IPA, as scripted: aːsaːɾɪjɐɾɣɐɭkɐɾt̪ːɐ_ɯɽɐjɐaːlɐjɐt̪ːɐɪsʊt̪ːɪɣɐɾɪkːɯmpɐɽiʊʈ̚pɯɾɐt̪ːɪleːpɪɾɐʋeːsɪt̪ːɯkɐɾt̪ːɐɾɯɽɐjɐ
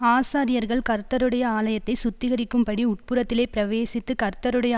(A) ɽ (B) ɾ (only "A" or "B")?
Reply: B